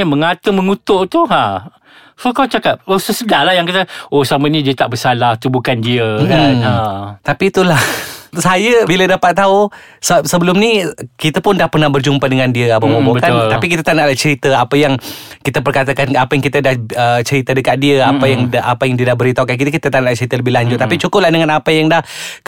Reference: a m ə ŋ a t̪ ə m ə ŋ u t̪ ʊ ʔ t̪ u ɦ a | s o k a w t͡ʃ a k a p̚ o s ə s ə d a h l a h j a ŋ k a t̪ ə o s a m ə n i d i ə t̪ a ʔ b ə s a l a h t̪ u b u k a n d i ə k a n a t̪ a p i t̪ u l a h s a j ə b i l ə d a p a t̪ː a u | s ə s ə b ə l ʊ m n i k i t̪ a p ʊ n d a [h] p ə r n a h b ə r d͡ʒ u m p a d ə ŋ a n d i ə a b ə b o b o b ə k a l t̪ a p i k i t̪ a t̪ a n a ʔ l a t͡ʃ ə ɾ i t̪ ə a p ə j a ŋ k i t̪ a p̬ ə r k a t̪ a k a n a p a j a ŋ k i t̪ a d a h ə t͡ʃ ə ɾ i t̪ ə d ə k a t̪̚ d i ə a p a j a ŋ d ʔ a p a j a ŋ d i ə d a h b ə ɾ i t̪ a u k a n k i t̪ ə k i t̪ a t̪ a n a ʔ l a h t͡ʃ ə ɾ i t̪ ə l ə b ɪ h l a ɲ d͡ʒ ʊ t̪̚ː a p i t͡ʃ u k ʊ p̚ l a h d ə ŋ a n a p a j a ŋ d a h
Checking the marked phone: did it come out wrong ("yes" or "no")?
no